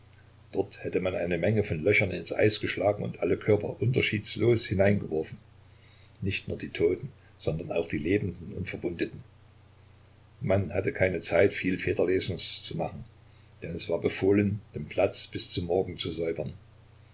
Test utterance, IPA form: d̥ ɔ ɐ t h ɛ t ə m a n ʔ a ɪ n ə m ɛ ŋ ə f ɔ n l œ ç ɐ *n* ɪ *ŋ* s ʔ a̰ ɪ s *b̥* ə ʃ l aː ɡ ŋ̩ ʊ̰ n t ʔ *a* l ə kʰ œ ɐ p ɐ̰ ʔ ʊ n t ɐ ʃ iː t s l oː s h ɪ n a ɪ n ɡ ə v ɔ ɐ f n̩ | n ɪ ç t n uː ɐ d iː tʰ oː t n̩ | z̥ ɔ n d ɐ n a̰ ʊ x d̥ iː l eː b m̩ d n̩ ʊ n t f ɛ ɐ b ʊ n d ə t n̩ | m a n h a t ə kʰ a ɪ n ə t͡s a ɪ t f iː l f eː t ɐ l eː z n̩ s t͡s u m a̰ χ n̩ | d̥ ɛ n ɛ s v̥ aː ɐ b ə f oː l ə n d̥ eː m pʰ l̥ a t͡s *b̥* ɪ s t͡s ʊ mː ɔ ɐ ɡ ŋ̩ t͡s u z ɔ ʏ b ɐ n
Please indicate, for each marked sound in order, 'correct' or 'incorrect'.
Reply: correct, incorrect: n, incorrect: ɡ̥, correct, correct

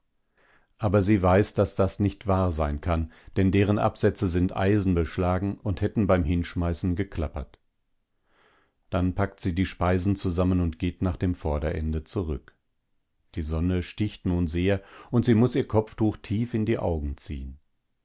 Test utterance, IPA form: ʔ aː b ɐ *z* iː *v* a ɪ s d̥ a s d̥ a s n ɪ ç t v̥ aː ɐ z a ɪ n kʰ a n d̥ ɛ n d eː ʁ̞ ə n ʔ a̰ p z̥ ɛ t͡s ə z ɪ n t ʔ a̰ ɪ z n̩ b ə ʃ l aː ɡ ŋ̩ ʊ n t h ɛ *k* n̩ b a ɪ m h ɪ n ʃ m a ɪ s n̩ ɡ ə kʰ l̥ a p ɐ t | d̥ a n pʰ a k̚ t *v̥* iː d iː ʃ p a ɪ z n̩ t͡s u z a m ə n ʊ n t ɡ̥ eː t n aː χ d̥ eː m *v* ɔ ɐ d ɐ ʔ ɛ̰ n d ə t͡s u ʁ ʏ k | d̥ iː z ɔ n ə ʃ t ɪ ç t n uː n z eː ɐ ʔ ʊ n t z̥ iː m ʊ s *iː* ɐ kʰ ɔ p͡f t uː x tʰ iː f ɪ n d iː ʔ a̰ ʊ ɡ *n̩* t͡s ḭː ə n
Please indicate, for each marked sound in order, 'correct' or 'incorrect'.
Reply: correct, correct, incorrect: t, incorrect: z̥, incorrect: f, correct, incorrect: ŋ̩

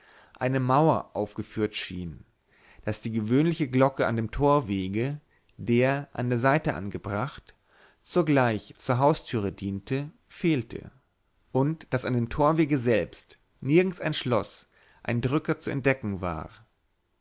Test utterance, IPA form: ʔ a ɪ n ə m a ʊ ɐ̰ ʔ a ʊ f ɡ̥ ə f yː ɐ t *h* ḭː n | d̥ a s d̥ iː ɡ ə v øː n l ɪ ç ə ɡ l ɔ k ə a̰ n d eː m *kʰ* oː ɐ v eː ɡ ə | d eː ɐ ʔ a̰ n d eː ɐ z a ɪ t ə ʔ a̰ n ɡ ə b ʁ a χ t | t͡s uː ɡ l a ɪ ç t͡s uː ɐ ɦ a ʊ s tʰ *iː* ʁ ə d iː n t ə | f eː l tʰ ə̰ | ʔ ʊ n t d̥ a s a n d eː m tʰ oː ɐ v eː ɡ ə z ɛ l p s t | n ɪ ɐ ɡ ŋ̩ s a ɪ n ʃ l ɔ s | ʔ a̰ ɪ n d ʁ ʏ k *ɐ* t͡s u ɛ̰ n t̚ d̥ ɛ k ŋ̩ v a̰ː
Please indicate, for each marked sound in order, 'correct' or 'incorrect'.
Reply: incorrect: ʃ, incorrect: tʰ, incorrect: yː, correct

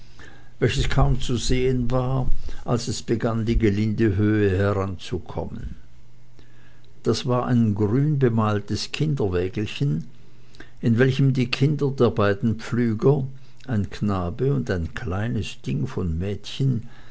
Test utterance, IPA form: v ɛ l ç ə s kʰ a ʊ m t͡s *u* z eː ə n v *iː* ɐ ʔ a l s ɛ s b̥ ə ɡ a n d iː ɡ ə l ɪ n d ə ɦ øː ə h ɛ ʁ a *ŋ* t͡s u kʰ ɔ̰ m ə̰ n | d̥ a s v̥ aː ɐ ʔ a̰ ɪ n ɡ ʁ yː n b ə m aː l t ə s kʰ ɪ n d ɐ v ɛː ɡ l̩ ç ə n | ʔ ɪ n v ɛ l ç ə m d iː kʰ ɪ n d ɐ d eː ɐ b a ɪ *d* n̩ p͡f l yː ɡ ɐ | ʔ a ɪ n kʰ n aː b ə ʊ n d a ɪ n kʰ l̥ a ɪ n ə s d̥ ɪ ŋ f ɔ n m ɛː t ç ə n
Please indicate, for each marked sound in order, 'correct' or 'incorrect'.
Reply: correct, incorrect: aː, incorrect: n, correct

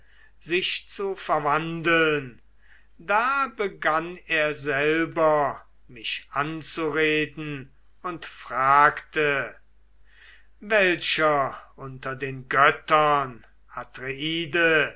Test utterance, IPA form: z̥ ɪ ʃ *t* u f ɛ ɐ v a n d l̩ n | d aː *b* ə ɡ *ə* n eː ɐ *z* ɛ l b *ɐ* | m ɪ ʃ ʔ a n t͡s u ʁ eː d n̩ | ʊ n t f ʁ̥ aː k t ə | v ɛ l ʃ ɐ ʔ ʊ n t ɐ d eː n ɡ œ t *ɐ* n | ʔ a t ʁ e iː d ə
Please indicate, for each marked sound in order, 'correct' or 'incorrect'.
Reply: incorrect: t͡s, correct, incorrect: a, correct, correct, correct

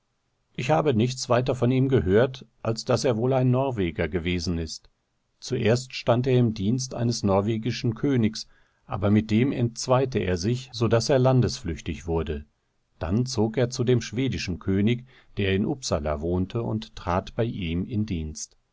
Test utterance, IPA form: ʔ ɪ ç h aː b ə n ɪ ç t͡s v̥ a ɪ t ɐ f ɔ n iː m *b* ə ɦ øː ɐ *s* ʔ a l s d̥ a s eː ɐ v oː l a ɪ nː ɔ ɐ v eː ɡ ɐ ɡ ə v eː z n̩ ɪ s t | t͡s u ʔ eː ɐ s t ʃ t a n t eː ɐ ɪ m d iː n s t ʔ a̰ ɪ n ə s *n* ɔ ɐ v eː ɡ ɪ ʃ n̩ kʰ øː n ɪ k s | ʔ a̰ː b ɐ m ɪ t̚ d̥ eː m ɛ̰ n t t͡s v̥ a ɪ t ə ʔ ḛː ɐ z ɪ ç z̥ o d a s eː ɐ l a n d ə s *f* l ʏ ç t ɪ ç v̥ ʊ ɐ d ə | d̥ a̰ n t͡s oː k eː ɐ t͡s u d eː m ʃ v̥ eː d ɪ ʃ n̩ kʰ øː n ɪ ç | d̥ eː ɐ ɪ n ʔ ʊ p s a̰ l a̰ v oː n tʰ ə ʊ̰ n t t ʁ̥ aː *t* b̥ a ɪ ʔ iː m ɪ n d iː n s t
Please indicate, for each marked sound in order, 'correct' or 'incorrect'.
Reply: incorrect: ɡ, incorrect: t, correct, correct, correct

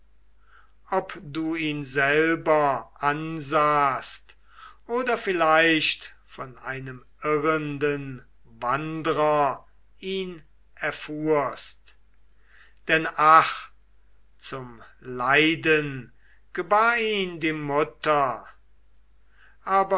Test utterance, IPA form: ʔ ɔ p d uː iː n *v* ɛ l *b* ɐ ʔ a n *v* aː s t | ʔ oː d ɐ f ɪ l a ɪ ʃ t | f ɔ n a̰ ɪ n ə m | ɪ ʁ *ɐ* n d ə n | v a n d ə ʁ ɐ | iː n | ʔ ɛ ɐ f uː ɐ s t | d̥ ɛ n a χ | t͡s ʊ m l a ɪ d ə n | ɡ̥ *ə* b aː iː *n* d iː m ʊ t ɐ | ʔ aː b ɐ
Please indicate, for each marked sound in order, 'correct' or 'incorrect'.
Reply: incorrect: z, correct, incorrect: z, incorrect: ə, correct, correct

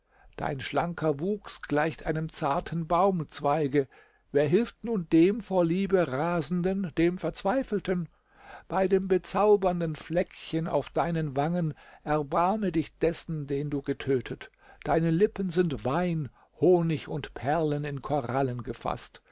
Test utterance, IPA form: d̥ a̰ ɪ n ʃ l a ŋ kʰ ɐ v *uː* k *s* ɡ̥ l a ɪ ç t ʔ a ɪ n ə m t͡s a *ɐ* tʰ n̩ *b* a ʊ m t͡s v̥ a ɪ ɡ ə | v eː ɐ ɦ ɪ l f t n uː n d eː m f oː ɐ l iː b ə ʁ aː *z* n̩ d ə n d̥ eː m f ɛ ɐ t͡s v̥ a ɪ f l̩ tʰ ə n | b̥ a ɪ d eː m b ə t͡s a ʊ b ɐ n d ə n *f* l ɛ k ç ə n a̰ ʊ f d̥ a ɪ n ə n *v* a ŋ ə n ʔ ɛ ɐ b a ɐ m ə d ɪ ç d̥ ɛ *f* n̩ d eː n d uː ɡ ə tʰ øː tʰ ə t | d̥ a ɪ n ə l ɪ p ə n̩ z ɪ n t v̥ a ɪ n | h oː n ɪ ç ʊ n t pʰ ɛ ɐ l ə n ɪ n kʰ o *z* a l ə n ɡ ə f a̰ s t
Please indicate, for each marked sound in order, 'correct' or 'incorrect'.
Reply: correct, correct, correct, correct, correct, correct, correct, incorrect: s, incorrect: ʁ

